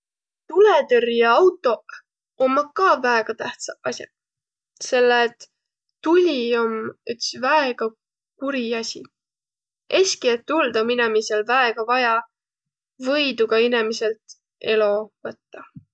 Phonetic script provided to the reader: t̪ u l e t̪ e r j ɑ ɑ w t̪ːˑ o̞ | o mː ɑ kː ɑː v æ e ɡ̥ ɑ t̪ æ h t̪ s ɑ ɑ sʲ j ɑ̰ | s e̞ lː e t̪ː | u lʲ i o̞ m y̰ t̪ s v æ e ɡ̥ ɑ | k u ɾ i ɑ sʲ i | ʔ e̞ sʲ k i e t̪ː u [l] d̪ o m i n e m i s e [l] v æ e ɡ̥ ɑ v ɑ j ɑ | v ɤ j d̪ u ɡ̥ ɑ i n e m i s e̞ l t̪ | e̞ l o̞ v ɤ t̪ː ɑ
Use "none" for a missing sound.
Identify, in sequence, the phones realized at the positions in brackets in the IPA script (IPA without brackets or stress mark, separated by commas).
l, l